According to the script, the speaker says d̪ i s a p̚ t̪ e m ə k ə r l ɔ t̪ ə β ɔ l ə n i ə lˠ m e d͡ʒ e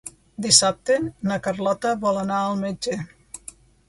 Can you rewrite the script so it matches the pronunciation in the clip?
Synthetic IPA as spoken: d̪ i s a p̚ t̪ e n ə k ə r l ɔ t̪ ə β ɔ l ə n a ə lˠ m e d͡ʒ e